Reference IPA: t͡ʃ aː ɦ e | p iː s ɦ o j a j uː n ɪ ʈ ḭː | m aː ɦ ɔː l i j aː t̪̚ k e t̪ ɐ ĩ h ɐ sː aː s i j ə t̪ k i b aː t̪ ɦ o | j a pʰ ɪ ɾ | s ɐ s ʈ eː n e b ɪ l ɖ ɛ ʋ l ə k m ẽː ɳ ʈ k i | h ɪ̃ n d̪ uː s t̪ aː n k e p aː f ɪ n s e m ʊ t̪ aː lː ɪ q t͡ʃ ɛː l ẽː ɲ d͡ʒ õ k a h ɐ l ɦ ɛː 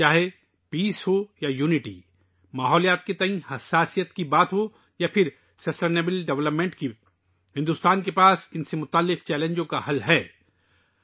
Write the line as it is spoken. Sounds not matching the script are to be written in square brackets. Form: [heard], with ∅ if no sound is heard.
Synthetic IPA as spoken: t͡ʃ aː ɦ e | p iː s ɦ o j a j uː n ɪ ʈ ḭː | m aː ɦ ɔː l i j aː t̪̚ k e t̪ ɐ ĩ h ɐ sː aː s i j ə t̪ k i b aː t̪ ɦ o | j a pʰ ɪ ɾ | s ɐ s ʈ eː n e b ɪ l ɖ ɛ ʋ l ə [p] m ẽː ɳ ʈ k i | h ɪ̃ n d̪ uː s t̪ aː n k e p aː [s] ɪ n s e m ʊ t̪ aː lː ɪ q t͡ʃ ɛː l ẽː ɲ d͡ʒ õ k a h ɐ l ɦ ɛː